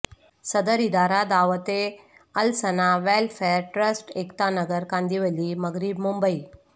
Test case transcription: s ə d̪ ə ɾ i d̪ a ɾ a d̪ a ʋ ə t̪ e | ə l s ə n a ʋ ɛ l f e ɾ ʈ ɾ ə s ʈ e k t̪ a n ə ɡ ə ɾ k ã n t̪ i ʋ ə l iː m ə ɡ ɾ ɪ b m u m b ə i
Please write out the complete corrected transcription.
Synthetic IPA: s ə d̪ ə ɾ i d̪ a ɾ a d̪ a ʋ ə t̪ e | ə l s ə n a ʋ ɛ l f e ɾ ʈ ɾ ə s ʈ e k t̪ a n ə ɡ ə ɾ k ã n d̪ i ʋ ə l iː m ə ɡ ɾ i b m u m b ə i